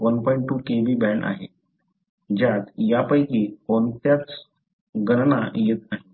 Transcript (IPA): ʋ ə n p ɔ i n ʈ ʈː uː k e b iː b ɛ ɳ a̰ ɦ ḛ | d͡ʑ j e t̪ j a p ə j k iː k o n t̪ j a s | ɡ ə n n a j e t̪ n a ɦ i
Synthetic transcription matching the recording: ʋ ə n p ɔ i ɳ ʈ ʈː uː k e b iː b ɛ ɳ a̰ ɦ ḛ | d͡ʑ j a t̪ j a p ə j k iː k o n t̪ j a t͡s | ɡ ə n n a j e t̪ n a ɦ i

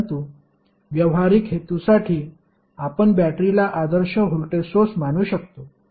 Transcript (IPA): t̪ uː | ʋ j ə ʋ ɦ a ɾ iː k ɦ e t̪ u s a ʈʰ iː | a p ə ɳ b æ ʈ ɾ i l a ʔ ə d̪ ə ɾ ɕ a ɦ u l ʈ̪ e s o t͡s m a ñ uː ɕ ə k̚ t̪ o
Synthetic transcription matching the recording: t̪ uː | ʋ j ə ʋ ɦ a ɾ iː k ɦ e t̪ u s a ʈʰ iː | a p ə ɳ b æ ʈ ɾ i l a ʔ a d̪ ə ɾ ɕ ə ɦ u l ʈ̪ e s o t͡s m a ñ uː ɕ ə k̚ t̪ o

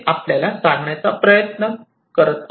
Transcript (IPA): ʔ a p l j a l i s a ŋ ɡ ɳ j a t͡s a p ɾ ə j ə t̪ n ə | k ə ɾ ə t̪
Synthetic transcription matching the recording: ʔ a p l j a l a s a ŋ ɡ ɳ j a t͡s a p ɾ ə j ə t̪ n ə | k ə ɾ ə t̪

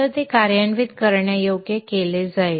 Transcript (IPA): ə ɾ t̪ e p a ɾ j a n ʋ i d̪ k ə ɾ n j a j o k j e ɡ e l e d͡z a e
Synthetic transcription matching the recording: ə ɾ t̪ e k a ɾ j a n ʋ i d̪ k ə ɾ ɳ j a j o ɡ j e k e l e d͡z a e

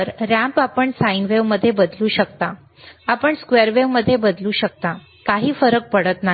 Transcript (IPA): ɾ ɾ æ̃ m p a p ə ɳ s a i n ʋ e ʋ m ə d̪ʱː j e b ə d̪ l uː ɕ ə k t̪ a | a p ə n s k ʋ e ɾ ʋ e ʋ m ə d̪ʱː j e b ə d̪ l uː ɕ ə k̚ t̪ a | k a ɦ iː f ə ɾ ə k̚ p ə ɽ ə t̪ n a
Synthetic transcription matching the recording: ɾ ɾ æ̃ m p a p ə ɳ s a i n ʋ e ʋ m ə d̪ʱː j e b ə d̪ l uː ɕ ə k t̪ a | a p ə ɳ s k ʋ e ɾ ʋ e ʋ m ə d̪ʱː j e b ə d̪ l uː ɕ ə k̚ t̪ a | k a ɦ iː f ə ɾ ə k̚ p ə ɽ ə t̪ n a

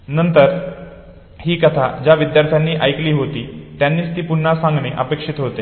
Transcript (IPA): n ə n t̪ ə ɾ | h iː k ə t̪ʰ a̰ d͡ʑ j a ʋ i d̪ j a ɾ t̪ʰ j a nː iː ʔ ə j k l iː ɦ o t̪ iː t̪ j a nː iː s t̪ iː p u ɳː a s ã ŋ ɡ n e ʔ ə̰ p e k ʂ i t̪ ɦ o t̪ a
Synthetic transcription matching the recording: n ə n t̪ ə ɾ | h iː k ə t̪ʰ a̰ d͡ʑ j a ʋ i d̪ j a ɾ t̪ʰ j a nː iː ʔ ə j k l iː ɦ o t̪ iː t̪ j a nː iː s t̪ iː p u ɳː a s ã ŋ ɡ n e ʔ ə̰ p e k ʂ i t̪ ɦ o t̪ e

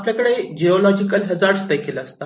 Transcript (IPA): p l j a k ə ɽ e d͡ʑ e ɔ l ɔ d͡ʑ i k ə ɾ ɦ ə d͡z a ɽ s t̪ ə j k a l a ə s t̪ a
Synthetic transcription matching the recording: p l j a k ə ɽ e d͡ʑ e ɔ l ɔ d͡ʑ i k ə l ɦ ə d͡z a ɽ s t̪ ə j k e l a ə s t̪ a

